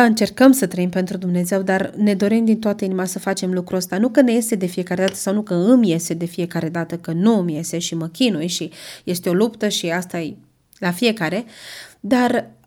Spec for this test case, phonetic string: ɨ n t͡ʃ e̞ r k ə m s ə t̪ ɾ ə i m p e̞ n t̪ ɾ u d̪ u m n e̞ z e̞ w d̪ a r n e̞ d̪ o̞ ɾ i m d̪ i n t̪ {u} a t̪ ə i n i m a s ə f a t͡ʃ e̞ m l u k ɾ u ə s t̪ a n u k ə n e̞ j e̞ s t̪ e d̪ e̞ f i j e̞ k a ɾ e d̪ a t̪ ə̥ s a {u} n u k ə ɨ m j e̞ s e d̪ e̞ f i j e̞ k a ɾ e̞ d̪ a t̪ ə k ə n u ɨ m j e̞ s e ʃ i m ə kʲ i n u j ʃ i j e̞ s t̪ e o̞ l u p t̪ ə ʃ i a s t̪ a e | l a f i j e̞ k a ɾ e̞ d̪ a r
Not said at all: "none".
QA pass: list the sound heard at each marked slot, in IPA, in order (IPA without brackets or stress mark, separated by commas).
o, w